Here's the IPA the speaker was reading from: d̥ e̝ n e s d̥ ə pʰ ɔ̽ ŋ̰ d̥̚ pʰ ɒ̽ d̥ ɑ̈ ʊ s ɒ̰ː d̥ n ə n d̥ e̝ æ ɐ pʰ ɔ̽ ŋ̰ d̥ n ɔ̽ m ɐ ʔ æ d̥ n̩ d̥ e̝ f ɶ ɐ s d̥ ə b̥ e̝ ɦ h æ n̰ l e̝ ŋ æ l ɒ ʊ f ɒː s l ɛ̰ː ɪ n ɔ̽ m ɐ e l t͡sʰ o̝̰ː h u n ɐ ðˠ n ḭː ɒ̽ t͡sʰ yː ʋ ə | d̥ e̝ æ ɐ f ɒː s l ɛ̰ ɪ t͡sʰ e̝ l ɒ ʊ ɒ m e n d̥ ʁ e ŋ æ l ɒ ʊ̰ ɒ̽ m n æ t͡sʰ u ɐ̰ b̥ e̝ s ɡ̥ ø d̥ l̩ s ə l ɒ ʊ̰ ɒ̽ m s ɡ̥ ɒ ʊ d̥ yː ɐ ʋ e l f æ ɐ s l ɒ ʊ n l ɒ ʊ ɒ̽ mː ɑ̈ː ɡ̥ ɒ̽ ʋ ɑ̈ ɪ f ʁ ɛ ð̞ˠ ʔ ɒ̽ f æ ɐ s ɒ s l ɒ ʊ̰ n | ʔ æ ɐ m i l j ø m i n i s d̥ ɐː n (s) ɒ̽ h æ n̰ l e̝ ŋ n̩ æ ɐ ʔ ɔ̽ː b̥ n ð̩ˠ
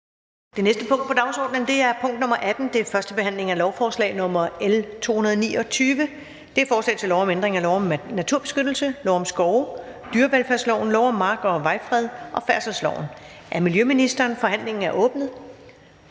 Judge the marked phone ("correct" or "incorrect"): incorrect